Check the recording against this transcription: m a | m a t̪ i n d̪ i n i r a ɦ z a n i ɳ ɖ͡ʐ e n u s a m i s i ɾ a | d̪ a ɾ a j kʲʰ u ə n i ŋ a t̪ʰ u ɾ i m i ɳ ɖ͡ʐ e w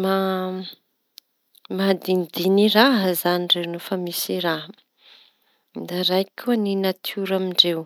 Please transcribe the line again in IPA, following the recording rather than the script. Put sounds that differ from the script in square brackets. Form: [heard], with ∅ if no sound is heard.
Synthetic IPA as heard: m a | m a [d̪] i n d̪ i n i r a ɦ z a n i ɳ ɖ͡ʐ e n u [f] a m i s i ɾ a | d̪ a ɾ a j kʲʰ u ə n i [n] a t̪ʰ u ɾ [a] m i ɳ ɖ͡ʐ e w

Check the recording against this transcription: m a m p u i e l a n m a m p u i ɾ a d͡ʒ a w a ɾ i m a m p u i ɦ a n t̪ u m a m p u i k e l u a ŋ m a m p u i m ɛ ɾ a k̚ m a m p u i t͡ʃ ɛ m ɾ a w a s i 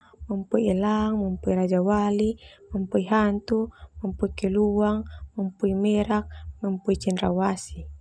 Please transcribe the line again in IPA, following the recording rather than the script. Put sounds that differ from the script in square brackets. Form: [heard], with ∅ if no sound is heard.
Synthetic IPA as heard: m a m p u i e l a [ŋ] m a m p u i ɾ a d͡ʒ a w a [l] i m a m p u i ɦ a n t̪ u m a m p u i k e l u a ŋ m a m p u i m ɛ ɾ a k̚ m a m p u i t͡ʃ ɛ [n] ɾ a w a s i

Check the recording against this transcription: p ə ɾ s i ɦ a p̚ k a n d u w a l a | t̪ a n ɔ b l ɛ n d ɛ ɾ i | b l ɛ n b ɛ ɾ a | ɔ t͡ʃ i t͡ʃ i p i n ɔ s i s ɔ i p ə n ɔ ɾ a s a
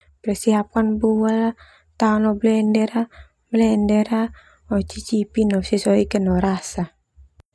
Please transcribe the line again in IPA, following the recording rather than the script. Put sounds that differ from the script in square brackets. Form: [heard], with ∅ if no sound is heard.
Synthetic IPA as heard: p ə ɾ s i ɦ a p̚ k a n [b] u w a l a | t̪ a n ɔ b l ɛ n d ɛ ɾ [a] | b l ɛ n [d] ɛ ɾ a | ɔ t͡ʃ i t͡ʃ i p i n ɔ s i s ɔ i [k] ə n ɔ ɾ a s a

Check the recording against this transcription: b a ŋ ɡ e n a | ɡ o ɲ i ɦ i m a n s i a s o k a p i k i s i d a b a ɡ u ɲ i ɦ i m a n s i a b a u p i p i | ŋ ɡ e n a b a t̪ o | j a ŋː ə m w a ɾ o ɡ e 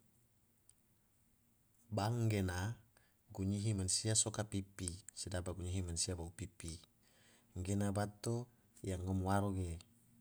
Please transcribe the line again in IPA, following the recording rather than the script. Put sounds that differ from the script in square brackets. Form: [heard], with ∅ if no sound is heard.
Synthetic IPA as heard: b a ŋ ɡ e n a | ɡ [u] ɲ i ɦ i m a n s i a s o k a p i [p] i s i d a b a ɡ u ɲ i ɦ i m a n s i a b a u p i p i | ŋ ɡ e n a b a t̪ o | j a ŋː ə m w a ɾ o ɡ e

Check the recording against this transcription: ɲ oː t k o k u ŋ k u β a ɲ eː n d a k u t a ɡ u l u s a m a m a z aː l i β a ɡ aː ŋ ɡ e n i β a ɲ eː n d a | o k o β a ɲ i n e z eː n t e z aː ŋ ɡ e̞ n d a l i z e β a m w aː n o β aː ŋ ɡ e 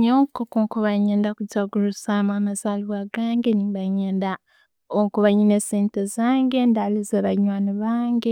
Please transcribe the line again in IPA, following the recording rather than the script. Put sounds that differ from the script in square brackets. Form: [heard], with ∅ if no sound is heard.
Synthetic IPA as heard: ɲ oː [∅] k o k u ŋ k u β a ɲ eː n d a k u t a ɡ u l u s a m a m a z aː l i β a ɡ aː ŋ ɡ e n i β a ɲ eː n d a | o k [u] β a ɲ i n e [s] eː n t e z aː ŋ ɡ e̞ n d a l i z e β a [ɲ] w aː n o β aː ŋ ɡ e

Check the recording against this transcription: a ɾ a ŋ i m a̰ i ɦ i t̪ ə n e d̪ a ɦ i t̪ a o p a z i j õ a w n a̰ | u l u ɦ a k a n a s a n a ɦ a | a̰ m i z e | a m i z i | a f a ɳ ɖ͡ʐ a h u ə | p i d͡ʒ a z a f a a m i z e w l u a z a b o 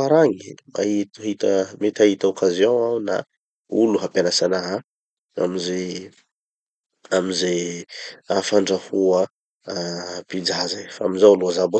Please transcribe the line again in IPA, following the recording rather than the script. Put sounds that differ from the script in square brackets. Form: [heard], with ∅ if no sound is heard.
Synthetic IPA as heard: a ɾ a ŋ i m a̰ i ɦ i t̪ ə [m] e [t̪] a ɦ i t̪ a o [k] a z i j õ a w n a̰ | u l u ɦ a [p] a n a s a n a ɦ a | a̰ m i z e | a m i z [e] | a f a ɳ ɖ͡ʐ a h u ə | p i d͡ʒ a z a f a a m i z [a] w l u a z a b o

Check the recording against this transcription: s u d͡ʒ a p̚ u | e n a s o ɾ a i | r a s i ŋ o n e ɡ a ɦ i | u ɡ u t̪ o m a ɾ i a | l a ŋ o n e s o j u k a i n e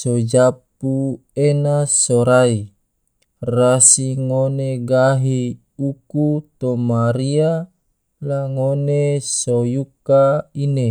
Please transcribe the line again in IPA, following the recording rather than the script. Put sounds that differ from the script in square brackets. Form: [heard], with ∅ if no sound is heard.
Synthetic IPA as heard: s [o] d͡ʒ a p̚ u | e n a s o ɾ a i | r a s i ŋ o n e ɡ a ɦ i | u [k] u t̪ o m a ɾ i a | l a ŋ o n e s o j u k a i n e

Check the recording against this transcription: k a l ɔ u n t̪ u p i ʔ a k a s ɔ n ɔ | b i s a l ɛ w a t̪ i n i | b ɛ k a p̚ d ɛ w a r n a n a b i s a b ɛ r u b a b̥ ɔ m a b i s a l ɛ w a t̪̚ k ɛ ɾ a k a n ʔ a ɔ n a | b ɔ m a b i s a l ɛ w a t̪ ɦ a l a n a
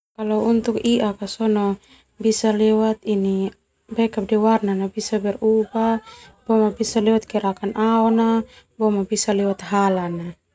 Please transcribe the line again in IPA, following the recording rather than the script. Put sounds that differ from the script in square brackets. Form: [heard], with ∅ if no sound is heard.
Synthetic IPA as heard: k a l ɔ u n t̪ u [k] i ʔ a k a s ɔ n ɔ | b i s a l ɛ w a t̪ i n i | b ɛ k a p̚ d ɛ w a r n a n a b i s a b ɛ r u b a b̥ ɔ m a b i s a l ɛ w a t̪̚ k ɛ ɾ a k a n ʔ a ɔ n a | b ɔ m a b i s a l ɛ w a t̪ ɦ a l a n a

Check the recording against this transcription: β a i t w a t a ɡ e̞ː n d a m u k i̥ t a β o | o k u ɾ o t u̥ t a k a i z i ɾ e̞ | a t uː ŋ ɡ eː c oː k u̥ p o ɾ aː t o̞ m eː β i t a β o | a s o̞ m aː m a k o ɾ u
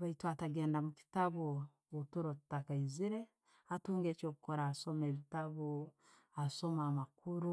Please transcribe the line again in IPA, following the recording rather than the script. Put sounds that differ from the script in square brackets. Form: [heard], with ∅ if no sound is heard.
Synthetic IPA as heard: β a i t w a t a ɡ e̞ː n d a m u k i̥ t a β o | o [t] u ɾ o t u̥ t a k a i z i ɾ e̞ | a t uː ŋ ɡ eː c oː k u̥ [k] o ɾ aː [s] o̞ m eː β i t a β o | a s o̞ m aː m a k [u] ɾ u

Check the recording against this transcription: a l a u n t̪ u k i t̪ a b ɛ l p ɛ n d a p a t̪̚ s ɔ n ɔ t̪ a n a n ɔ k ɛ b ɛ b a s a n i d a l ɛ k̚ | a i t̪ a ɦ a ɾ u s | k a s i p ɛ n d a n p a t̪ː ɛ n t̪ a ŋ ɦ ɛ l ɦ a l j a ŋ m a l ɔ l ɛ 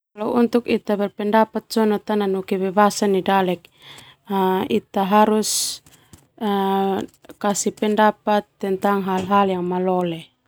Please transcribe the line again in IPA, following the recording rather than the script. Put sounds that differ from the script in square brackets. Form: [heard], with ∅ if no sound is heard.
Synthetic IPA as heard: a l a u n t̪ u k i t̪ a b ɛ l p ɛ n d a p a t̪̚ s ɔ n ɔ t̪ a n a n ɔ k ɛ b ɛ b a s a n i d a l ɛ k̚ | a i t̪ a ɦ a ɾ u s | k a s i p ɛ n d a [∅] p a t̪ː ɛ n t̪ a ŋ ɦ [a] l ɦ a l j a ŋ m a l ɔ l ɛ

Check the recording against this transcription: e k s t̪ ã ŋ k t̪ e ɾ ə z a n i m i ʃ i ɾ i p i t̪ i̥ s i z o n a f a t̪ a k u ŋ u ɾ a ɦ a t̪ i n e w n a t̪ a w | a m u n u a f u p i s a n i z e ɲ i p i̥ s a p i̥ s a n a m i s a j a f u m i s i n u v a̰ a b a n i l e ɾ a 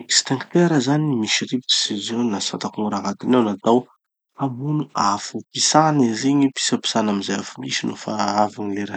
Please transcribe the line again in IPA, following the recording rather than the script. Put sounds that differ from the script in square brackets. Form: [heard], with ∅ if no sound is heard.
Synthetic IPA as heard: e k s t̪ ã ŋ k t̪ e ɾ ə z a n i m i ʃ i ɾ i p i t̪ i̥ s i z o n a [s] a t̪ a k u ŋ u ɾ a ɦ a t̪ i n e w n a t̪ a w | a m u n u a f u p i s a n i z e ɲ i p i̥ s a p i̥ s a n a m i [z] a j a f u m i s i n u [f] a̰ a [v] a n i l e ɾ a

